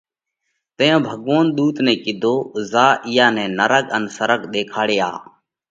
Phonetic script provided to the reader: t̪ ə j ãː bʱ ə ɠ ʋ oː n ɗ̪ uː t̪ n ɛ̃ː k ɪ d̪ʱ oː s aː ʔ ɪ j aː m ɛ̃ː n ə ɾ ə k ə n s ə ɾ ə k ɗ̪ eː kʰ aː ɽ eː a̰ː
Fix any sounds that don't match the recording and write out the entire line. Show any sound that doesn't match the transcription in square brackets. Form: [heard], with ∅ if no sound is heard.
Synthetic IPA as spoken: t̪ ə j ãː bʱ ə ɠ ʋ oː n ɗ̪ uː t̪ n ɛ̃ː k ɪ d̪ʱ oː [z] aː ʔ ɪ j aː [n] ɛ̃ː n ə ɾ ə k ə n s ə ɾ ə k ɗ̪ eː kʰ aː ɽ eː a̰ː